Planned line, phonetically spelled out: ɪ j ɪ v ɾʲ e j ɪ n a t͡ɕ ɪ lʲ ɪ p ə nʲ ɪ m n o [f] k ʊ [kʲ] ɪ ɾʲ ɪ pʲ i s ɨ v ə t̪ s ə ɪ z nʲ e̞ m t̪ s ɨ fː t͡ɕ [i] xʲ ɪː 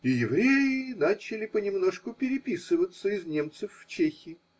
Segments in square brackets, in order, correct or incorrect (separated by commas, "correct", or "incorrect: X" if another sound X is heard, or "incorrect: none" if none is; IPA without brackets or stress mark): incorrect: ʂ, incorrect: pʲ, incorrect: e